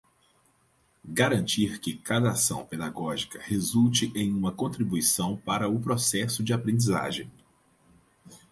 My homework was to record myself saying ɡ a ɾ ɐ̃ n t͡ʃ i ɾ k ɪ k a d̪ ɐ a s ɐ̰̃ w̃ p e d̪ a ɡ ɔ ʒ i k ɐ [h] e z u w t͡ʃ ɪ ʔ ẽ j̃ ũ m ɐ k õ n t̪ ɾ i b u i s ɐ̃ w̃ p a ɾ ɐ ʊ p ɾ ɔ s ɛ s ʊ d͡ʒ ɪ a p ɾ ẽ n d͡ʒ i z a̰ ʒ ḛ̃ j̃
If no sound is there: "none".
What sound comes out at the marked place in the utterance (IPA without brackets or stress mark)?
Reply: h